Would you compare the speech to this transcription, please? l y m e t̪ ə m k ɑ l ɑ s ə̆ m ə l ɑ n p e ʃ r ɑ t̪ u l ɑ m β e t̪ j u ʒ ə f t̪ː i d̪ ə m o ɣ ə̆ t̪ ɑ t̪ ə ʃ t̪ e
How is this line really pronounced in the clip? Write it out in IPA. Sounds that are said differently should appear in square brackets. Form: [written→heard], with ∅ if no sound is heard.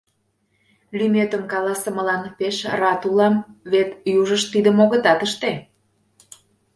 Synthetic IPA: l y m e t̪ ə m k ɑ l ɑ s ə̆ m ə l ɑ n p e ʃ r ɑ t̪ u l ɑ m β e t̪ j u ʒ ə [f→ʃ] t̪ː i d̪ ə m o ɣ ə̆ t̪ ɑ t̪ ə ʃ t̪ e